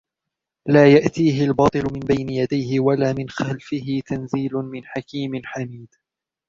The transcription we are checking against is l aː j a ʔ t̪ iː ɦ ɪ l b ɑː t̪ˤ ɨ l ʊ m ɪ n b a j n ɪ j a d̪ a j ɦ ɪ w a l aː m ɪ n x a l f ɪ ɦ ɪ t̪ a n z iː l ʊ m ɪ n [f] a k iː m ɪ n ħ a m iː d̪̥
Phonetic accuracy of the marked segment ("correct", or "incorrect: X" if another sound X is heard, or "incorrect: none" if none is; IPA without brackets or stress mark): incorrect: ħ